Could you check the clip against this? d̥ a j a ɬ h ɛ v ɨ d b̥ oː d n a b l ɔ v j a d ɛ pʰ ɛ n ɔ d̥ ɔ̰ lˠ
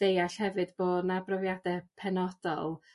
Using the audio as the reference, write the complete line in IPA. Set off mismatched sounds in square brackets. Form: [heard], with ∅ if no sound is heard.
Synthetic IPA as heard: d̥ [e] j a ɬ h ɛ v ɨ d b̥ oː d n a b [r] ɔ v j a d ɛ pʰ ɛ n ɔ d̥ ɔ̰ lˠ